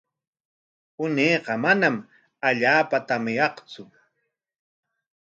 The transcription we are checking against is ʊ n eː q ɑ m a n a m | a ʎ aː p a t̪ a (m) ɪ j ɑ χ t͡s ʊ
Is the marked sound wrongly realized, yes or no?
no